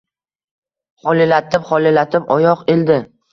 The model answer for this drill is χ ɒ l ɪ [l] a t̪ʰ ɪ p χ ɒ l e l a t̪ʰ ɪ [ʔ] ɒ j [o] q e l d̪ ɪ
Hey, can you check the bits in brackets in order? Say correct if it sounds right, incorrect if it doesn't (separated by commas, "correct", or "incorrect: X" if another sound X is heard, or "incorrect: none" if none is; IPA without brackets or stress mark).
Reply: correct, incorrect: p, incorrect: ɒ